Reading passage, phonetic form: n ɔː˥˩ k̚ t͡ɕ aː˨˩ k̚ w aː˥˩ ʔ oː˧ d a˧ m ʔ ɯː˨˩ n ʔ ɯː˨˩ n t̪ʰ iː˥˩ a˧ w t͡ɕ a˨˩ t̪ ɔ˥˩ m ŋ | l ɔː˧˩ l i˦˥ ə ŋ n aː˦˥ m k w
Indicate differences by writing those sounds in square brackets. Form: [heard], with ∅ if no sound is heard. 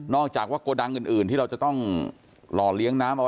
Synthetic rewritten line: n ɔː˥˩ k̚ t͡ɕ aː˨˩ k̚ w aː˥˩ [k] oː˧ d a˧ [ŋ] ʔ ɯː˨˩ n ʔ ɯː˨˩ n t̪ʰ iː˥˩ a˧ w t͡ɕ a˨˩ t̪ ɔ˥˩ [∅] ŋ | l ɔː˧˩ l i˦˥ ə ŋ n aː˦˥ m [ʔ] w